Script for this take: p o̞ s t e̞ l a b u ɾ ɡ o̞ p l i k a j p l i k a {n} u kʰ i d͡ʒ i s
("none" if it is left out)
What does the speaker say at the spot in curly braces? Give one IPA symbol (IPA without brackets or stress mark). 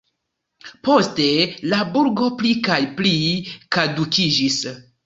d